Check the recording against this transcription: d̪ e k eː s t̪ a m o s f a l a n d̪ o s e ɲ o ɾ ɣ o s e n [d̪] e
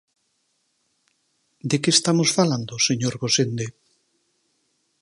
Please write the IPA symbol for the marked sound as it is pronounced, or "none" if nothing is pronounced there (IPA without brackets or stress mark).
d̪